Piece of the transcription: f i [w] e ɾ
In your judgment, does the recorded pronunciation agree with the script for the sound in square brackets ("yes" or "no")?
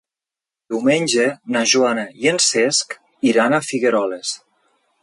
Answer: no